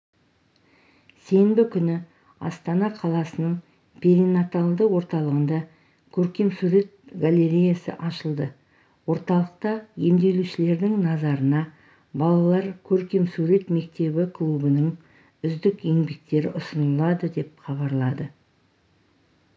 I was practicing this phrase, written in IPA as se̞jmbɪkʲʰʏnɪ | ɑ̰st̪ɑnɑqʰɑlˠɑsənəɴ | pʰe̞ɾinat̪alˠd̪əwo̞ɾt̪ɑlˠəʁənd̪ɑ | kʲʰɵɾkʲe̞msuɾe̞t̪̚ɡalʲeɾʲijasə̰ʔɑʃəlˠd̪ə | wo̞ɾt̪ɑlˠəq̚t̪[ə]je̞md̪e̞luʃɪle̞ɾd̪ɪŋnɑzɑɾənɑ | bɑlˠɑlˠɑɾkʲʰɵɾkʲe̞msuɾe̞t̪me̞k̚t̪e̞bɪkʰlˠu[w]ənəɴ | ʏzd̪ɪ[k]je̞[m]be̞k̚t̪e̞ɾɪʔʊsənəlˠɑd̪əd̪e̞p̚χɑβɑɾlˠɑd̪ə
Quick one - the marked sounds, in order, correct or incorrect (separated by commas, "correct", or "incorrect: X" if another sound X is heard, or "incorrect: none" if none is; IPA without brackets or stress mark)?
incorrect: ɑ, incorrect: b, correct, incorrect: ŋ